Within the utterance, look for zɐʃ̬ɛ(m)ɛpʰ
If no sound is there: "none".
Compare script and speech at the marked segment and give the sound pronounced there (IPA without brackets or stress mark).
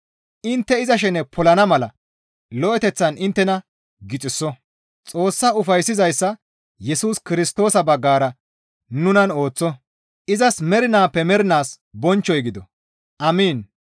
n